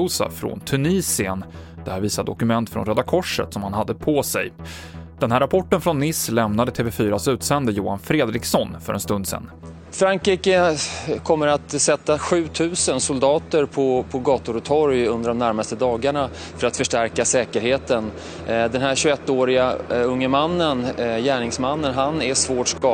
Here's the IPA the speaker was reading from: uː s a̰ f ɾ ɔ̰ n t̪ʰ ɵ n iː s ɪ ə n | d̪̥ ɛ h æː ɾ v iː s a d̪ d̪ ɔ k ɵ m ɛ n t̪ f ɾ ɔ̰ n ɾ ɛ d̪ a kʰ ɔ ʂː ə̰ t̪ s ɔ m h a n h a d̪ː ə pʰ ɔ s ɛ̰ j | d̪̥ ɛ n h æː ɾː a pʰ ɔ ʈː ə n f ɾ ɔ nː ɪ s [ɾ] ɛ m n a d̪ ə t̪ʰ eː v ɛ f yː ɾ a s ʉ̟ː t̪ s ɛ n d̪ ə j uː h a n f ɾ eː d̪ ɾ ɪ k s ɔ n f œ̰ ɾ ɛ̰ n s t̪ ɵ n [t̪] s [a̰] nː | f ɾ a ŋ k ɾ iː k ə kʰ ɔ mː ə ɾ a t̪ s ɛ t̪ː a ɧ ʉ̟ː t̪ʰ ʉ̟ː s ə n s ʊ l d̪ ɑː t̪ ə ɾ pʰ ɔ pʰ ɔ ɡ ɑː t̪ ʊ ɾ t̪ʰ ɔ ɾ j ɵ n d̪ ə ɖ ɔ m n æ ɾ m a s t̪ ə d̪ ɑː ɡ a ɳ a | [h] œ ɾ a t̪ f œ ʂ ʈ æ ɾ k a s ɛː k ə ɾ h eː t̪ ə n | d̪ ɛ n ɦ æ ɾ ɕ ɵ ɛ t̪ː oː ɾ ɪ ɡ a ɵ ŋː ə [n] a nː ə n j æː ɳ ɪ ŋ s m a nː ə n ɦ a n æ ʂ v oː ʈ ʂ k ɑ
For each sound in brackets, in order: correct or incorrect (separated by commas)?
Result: incorrect, incorrect, incorrect, incorrect, incorrect